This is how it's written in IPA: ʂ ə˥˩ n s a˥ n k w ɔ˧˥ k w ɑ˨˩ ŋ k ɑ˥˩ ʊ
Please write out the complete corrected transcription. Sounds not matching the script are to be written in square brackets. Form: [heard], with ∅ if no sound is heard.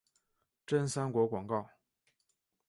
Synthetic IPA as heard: [ʈ͡ʂ] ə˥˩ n s a˥ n k w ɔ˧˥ k w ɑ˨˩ ŋ k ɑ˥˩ ʊ